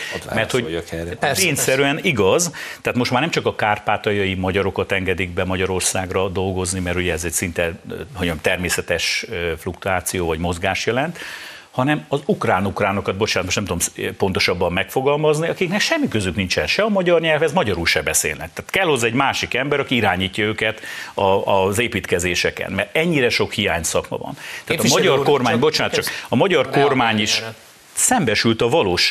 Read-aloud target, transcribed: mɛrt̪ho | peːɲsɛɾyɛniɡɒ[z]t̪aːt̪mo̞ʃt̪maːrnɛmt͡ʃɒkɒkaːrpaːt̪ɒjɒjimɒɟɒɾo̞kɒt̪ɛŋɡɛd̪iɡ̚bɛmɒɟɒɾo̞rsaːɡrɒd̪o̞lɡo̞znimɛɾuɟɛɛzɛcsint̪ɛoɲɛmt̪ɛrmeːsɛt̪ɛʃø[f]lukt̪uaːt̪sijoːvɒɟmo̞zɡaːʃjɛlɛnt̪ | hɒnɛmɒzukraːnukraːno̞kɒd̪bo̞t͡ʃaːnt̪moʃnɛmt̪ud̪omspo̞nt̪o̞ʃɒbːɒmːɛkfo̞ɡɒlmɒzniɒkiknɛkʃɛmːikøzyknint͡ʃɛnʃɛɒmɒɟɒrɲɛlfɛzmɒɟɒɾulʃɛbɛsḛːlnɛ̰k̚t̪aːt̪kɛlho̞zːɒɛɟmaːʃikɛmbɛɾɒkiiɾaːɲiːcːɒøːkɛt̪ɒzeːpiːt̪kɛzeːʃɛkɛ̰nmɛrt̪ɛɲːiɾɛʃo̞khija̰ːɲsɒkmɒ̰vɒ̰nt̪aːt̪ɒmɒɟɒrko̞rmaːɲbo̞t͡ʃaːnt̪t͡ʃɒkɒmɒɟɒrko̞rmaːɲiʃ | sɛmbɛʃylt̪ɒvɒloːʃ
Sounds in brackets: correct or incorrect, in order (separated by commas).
correct, correct